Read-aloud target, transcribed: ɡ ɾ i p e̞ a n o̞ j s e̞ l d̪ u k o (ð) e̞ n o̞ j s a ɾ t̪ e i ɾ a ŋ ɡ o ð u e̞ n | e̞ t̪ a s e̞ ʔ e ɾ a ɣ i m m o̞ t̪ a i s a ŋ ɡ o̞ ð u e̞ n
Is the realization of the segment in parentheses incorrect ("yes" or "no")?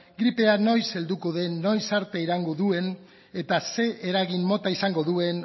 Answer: no